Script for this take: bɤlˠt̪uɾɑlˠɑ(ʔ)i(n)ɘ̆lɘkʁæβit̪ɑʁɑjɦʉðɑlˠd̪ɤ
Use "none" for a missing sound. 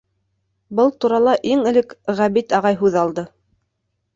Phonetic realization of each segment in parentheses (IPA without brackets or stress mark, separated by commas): ʔ, ŋ